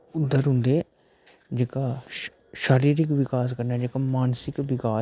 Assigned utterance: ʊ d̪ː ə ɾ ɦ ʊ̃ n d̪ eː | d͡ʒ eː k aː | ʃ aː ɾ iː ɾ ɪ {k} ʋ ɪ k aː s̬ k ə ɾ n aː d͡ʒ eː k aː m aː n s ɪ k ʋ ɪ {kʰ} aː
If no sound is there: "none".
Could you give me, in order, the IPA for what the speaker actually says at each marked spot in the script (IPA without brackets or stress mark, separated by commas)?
k, k